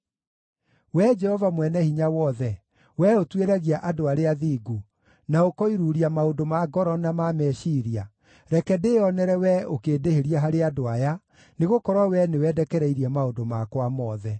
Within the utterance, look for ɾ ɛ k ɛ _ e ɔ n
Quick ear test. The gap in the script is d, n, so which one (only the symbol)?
d